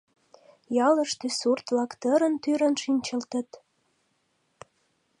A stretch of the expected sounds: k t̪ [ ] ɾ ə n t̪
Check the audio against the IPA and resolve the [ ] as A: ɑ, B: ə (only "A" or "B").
B